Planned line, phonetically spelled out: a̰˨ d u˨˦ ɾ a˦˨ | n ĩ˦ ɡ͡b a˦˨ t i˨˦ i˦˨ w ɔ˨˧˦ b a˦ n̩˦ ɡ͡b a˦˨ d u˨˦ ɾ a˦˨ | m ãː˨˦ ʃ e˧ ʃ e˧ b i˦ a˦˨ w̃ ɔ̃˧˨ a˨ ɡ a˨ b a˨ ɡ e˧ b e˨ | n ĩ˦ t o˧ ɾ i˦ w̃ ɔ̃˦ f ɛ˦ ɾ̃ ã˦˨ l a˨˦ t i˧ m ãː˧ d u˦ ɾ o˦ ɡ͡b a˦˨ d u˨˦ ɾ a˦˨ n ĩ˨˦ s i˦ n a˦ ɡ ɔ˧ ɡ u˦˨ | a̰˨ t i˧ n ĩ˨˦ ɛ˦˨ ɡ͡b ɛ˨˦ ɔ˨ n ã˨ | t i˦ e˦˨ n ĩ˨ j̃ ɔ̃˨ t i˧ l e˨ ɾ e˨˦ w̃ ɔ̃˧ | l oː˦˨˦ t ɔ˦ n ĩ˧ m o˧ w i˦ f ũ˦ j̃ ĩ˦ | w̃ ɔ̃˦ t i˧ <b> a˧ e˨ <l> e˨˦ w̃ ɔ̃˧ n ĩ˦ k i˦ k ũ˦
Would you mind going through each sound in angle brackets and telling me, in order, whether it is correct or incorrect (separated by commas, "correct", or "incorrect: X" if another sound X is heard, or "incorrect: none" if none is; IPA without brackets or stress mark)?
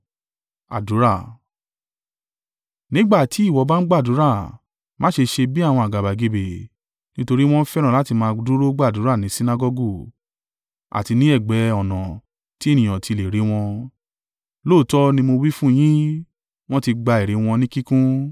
incorrect: ɡ͡b, incorrect: ɾ